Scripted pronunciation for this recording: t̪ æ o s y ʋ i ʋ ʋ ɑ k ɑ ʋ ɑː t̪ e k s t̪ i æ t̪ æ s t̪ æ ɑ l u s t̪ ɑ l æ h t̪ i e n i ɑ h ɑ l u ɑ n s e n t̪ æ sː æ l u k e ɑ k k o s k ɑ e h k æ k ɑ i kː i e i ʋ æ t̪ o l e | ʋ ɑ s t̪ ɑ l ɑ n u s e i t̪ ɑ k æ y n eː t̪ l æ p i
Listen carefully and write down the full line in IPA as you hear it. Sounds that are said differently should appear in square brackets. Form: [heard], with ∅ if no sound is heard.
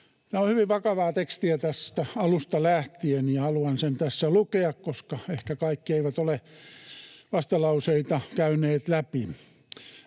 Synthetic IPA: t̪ æ o [h] y ʋ i ʋ ʋ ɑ k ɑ ʋ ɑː t̪ e k s t̪ i æ t̪ æ s t̪ æ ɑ l u s t̪ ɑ l æ h t̪ i e n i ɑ h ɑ l u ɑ n s e n t̪ æ sː æ l u k e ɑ k k o s k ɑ e h k æ k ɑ i kː i e i ʋ æ t̪ o l e | ʋ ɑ s t̪ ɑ l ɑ [∅] u s e i t̪ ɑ k æ y n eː t̪ l æ p i